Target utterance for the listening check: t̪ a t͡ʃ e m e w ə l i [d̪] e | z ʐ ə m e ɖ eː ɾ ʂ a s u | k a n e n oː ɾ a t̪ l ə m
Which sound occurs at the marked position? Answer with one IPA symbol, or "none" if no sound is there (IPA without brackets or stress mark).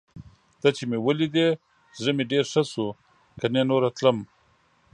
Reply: d̪